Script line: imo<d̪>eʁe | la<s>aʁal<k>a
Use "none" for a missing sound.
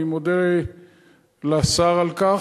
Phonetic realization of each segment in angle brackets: d̪, s, k

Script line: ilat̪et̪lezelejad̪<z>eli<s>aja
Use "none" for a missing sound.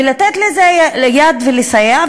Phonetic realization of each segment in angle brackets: v, s

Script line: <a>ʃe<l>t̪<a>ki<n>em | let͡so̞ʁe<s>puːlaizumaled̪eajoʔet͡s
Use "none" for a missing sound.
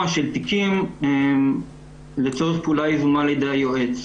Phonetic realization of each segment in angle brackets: a, l, i, m, χ

